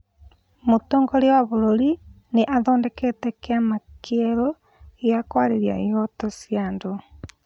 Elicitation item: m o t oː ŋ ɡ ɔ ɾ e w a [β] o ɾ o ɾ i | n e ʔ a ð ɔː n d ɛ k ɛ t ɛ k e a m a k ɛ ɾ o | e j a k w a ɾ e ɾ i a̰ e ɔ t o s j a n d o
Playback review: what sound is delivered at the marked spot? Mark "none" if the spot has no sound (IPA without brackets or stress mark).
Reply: β